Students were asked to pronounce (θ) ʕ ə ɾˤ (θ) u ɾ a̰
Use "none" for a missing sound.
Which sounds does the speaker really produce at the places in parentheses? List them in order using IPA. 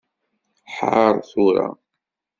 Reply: ħ, θ

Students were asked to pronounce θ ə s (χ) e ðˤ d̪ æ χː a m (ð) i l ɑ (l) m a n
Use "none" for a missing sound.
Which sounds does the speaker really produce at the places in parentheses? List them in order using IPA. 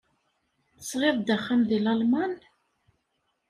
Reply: ʁ, ð, l

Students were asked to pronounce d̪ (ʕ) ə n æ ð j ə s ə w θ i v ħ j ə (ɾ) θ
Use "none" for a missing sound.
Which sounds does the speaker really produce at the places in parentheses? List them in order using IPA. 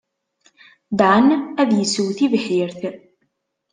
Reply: ʕ, ɾ

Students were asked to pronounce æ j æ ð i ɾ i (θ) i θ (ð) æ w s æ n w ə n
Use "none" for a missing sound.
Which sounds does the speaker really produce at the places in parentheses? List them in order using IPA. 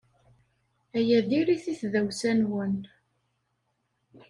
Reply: θ, ð

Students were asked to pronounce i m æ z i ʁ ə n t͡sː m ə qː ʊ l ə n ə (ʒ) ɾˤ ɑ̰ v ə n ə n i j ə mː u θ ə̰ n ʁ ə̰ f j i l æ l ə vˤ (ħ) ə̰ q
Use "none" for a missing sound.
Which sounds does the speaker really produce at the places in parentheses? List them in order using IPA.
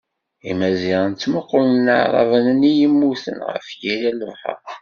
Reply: ʕ, ħ

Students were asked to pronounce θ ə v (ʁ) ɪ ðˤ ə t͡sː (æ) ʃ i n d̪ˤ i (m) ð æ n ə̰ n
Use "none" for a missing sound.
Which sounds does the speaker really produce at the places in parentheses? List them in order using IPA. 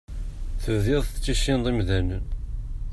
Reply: ð, i, m

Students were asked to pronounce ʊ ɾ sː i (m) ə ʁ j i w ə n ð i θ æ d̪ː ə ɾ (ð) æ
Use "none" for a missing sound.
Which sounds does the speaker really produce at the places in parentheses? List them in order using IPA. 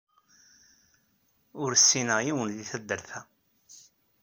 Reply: n, θ

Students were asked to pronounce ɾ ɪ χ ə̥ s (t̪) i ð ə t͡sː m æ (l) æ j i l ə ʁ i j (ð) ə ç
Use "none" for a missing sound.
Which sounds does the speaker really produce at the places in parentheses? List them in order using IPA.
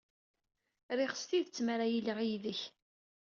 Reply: t̪, ɾ, ð

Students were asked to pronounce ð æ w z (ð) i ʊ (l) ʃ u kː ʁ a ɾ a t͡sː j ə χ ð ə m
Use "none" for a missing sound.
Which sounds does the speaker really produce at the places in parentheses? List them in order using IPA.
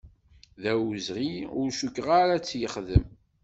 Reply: ʁ, ɾ

